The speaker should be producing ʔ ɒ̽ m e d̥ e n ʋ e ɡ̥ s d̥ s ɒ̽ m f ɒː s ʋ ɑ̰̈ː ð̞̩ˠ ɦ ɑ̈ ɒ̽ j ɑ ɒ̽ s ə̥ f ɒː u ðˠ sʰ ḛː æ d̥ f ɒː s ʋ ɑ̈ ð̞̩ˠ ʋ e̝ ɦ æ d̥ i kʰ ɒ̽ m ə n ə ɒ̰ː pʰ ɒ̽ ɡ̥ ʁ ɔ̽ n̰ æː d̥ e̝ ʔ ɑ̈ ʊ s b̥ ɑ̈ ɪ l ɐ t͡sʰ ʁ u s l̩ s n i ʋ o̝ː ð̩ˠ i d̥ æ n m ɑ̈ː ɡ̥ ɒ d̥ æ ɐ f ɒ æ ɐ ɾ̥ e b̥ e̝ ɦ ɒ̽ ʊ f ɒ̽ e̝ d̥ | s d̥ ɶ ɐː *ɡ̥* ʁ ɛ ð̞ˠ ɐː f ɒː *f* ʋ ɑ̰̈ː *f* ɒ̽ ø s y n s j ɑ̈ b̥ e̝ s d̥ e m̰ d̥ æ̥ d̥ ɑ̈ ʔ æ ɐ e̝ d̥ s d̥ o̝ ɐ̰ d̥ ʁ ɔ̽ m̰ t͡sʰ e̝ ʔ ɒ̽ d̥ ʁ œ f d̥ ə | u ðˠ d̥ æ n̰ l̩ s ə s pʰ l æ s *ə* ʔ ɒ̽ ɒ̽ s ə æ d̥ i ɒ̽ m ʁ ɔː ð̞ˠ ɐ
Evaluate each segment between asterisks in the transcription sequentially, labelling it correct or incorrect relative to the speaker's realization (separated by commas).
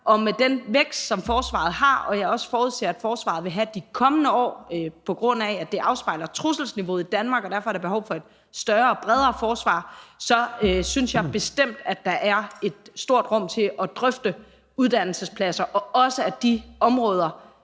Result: incorrect, incorrect, incorrect, incorrect